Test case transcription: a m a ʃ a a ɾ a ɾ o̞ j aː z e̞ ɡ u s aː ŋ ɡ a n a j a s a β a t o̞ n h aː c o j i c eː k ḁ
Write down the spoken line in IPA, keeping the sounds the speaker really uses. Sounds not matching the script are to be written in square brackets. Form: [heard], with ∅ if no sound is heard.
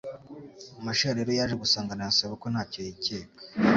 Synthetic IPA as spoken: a m a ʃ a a ɾ [e] ɾ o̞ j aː [ʒ] e̞ ɡ u s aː ŋ ɡ a n a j a s a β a [k] o̞ n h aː c o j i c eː k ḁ